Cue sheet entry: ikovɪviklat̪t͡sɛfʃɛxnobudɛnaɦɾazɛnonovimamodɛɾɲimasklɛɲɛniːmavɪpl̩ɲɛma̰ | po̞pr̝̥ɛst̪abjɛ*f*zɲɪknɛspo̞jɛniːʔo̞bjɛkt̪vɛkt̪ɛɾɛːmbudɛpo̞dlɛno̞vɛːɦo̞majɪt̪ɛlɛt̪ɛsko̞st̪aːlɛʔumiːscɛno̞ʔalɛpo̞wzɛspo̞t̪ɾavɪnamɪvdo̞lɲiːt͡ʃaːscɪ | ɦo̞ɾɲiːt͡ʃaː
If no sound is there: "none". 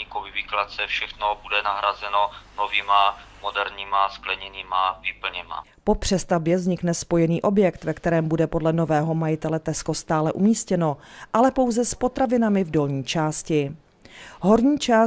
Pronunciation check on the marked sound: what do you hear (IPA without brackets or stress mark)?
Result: v